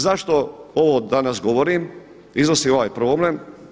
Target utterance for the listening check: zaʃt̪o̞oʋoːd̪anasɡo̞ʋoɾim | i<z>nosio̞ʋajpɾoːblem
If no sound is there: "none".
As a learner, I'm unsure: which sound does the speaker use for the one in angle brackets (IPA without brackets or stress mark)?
z